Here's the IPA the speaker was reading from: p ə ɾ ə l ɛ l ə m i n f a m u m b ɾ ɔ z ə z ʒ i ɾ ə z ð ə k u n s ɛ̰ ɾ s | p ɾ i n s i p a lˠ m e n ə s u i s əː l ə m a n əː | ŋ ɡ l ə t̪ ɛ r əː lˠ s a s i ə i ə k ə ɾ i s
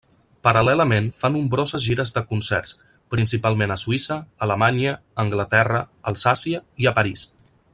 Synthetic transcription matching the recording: p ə ɾ ə l ɛ l ə m e n f a n u m b ɾ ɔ z ə z ʒ i ɾ ə z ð ə k u n s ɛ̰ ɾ s | p ɾ i n s i p a lˠ m e n ə s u i s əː l ə m a ɲ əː | ŋ ɡ l ə t̪ ɛ r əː lˠ s a s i ə i ə p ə ɾ i s